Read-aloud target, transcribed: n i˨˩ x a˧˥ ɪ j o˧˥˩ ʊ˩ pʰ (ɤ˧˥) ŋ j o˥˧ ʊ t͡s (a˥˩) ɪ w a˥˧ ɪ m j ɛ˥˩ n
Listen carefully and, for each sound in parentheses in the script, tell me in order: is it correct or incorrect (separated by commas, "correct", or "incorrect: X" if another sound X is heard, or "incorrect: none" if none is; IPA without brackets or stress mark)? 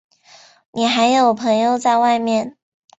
correct, incorrect: a˥˧